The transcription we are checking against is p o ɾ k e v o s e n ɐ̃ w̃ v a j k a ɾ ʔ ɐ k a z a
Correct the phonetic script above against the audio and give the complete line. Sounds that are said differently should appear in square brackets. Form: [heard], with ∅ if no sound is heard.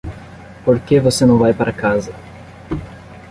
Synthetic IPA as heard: p o ɾ k e v o s e n ɐ̃ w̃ v a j [p] a ɾ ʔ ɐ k a z [ɐ]